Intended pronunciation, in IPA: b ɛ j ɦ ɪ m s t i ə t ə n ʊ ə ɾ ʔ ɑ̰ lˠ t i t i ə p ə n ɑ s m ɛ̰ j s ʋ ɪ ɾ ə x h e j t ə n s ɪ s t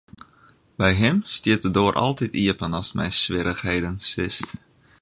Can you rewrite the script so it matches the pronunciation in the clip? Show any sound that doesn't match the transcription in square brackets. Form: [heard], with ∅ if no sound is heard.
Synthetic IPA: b ɛ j ɦ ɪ m s t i ə t ə [d] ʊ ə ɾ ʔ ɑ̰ lˠ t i t i ə p ə n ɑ s m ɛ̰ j s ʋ ɪ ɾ ə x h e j [d] ə n s ɪ s t